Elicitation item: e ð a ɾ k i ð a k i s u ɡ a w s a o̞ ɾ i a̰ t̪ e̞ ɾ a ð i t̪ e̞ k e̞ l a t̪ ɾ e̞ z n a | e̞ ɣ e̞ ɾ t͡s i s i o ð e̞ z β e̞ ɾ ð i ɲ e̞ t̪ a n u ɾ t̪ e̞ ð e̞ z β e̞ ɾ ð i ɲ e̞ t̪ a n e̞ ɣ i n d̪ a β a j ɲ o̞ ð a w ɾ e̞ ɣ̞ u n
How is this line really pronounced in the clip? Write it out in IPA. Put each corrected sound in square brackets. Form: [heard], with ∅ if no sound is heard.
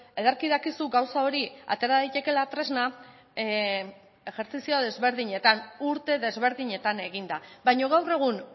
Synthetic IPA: e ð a ɾ k i ð a k i s u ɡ a w s a o̞ ɾ i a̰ t̪ e̞ ɾ a ð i t̪ e̞ k e̞ l a t̪ ɾ e̞ z n a | e̞ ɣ e̞ ɾ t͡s i s i o ð e̞ z β e̞ ɾ ð i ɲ e̞ t̪ a n u ɾ t̪ e̞ ð e̞ z β e̞ ɾ ð i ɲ e̞ t̪ a n e̞ ɣ i n d̪ a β a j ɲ o̞ [ɣ] a w [r] e̞ ɣ̞ u n